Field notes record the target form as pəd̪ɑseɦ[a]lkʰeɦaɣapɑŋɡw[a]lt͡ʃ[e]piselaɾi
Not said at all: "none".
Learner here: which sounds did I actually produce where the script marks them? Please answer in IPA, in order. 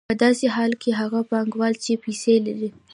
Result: ɑ, ɑ, e

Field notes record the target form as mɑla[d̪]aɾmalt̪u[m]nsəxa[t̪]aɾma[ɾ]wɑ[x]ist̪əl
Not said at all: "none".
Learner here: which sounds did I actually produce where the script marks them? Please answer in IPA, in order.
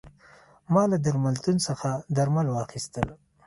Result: d̪, none, d̪, l, x

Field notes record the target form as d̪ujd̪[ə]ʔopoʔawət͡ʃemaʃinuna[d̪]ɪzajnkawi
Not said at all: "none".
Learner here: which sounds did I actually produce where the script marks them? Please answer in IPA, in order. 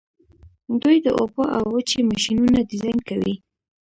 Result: ə, d̪

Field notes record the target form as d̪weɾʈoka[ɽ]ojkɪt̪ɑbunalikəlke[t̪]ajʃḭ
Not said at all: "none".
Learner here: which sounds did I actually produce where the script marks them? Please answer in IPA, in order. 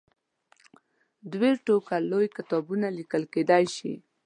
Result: l, d̪

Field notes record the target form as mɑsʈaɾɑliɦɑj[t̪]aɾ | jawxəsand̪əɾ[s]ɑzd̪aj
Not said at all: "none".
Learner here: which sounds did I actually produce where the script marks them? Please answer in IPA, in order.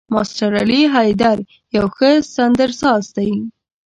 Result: d̪, s

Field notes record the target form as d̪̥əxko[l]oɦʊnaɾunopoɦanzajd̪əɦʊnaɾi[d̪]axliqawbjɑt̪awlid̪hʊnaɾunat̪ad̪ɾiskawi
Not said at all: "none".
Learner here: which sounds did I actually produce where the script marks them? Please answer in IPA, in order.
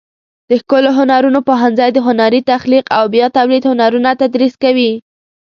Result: l, t̪

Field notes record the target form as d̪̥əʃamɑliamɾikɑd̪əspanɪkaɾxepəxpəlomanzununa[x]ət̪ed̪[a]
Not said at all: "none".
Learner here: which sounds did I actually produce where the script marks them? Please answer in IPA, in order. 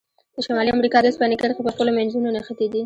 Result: x, i

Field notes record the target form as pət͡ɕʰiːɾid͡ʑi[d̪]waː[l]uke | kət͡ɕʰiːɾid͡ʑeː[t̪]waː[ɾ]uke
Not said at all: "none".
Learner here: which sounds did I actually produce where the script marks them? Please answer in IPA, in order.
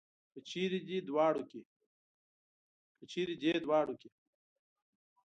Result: d̪, ɽ, d̪, ɽ

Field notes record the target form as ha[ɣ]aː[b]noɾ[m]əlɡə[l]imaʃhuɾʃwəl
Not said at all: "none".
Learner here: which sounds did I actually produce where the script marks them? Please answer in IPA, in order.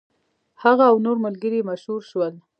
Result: ɣ, w, m, ɾ

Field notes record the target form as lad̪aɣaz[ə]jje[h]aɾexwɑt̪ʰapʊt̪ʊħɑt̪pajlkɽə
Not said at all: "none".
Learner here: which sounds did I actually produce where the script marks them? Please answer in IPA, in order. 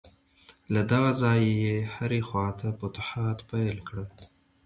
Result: ɑ, h

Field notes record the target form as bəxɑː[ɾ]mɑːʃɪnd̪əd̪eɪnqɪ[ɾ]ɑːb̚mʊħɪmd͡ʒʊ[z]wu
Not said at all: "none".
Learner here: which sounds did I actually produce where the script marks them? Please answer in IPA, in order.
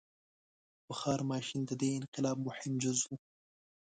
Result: ɾ, l, z

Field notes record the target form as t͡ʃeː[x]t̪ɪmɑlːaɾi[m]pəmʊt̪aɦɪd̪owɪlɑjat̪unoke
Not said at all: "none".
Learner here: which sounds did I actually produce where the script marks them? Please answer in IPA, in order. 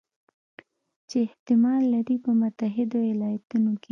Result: h, none

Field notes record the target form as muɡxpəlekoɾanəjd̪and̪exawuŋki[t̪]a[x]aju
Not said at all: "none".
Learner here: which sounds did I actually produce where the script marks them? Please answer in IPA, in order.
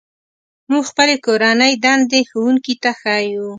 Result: t̪, x

